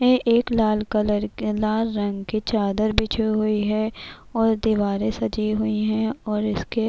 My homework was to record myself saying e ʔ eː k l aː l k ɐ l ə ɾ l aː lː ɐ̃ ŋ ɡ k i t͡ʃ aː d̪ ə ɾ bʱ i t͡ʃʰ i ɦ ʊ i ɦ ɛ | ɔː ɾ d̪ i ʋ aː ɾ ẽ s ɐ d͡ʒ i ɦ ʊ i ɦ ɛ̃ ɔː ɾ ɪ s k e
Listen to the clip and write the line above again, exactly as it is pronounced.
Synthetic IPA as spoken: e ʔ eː k l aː l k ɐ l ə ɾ l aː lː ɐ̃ ŋ ɡ k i t͡ʃ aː d̪ ə ɾ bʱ i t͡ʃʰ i ɦ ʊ i ɦ ɛ | ɔː ɾ d̪ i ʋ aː ɾ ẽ s ɐ d͡ʒ i ɦ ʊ i ɦ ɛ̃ ɔː ɾ ɪ s k e